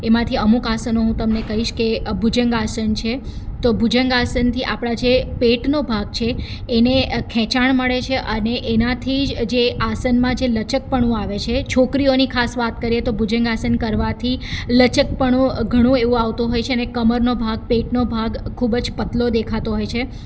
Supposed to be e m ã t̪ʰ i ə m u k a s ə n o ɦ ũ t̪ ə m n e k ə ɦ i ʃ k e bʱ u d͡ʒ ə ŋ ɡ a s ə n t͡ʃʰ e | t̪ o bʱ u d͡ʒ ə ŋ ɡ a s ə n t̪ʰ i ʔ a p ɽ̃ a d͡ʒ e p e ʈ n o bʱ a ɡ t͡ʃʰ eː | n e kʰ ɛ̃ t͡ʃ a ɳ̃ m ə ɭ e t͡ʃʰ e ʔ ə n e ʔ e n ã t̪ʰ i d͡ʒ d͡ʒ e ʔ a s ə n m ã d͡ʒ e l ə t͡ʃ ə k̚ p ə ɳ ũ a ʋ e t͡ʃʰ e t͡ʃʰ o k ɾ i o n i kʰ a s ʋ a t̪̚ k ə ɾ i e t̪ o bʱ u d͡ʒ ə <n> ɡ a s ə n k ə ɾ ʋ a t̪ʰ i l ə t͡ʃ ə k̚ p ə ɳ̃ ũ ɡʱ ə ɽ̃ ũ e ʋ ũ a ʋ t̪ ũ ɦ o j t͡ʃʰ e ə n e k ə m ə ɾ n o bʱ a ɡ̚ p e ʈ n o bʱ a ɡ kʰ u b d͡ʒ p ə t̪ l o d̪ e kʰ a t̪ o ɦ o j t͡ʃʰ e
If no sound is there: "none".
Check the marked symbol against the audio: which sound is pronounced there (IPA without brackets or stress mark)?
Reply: ŋ